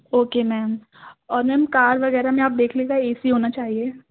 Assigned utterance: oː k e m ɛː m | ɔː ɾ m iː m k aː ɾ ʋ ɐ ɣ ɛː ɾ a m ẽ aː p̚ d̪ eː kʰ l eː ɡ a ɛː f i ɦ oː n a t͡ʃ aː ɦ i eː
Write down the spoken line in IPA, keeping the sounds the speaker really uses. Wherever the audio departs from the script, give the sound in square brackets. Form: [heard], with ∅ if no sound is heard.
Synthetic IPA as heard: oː k e m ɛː m | ɔː ɾ m [ɛː] m k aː ɾ ʋ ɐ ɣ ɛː ɾ a m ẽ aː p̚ d̪ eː kʰ l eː ɡ a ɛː [s] i ɦ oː n a t͡ʃ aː ɦ i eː